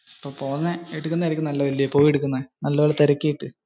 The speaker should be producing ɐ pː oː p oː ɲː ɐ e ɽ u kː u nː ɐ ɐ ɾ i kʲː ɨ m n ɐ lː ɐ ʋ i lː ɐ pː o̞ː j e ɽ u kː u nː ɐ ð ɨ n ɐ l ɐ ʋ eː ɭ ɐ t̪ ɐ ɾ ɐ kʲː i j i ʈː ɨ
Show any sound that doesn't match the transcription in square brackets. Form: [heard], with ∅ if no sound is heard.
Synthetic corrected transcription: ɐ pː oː p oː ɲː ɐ e ɽ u kː u nː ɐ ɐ ɾ i kʲː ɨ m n ɐ lː ɐ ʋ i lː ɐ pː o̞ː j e ɽ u kː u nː ɐ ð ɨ n ɐ [lː] ɐ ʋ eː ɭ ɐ t̪ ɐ ɾ ɐ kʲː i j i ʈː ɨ